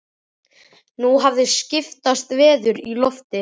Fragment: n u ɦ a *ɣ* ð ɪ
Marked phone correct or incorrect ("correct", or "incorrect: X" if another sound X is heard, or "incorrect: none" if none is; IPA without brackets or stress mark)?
incorrect: v